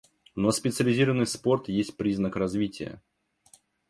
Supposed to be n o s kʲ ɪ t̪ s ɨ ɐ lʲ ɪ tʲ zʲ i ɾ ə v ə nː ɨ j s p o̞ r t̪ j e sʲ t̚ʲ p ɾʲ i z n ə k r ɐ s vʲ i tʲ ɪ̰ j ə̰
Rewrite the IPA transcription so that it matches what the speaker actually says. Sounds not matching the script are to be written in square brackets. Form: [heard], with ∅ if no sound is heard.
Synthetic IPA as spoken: n o s [pʲ] ɪ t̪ s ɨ [ə] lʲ ɪ [∅] zʲ i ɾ ə v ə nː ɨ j s p o̞ r t̪ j e sʲ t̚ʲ p ɾʲ i z n ə k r ɐ [z] vʲ i tʲ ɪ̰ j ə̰